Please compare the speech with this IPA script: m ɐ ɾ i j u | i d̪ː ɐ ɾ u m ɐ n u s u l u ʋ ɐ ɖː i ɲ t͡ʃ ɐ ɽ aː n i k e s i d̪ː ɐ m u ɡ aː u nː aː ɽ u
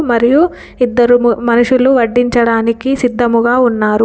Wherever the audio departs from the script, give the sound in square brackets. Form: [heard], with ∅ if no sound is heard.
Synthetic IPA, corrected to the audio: m ɐ ɾ i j u | i d̪ː ɐ ɾ u m ɐ n u [ʂ] u l u ʋ ɐ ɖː i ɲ t͡ʃ ɐ ɽ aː n i k [i] s i d̪ː ɐ m u ɡ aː u nː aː [ɾ] u